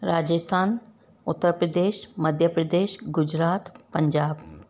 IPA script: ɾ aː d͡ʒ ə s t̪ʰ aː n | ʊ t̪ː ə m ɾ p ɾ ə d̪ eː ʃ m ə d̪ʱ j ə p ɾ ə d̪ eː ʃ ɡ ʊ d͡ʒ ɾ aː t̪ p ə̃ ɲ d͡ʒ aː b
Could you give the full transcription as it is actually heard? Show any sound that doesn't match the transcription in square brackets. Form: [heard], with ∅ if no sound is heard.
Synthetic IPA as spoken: ɾ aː d͡ʒ ə s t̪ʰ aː n | ʊ t̪ː ə [∅] ɾ p ɾ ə d̪ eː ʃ m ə d̪ʱ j ə p ɾ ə d̪ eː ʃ ɡ ʊ d͡ʒ ɾ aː t̪ p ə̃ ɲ d͡ʒ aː b